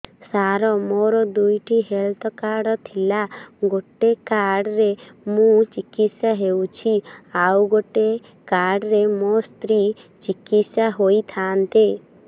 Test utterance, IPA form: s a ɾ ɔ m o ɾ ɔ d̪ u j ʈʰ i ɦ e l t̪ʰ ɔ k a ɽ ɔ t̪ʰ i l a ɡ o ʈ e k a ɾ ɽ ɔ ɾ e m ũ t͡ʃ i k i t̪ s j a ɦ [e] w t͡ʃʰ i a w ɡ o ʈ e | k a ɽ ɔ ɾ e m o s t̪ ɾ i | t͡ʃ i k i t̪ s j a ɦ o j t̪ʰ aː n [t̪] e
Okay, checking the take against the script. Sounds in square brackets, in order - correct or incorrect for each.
correct, correct

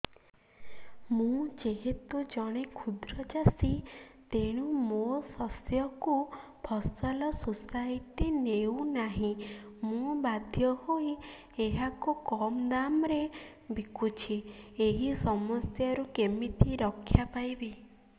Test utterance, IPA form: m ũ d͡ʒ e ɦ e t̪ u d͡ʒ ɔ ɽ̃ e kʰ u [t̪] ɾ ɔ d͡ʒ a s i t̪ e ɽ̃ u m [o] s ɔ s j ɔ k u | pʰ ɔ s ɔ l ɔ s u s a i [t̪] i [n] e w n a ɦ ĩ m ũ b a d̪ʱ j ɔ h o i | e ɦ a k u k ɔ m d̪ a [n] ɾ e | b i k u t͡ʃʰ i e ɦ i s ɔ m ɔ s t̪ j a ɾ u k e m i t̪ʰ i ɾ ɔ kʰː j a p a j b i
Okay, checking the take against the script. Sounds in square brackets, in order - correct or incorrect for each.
incorrect: d̪, correct, correct, correct, incorrect: m

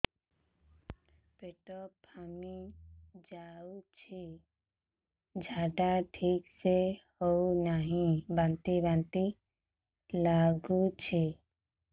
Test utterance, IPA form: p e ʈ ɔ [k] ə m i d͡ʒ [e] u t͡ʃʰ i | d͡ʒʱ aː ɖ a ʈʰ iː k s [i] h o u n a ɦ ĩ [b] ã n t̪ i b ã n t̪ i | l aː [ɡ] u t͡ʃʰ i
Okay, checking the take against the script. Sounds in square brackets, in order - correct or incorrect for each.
incorrect: p, incorrect: a, incorrect: e, correct, correct

